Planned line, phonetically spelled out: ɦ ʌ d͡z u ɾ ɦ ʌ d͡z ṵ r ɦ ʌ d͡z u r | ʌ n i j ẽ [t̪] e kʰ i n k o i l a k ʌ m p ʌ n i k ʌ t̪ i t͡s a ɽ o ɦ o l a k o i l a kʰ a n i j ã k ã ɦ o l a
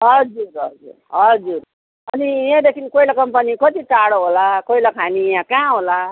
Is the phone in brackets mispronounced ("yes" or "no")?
yes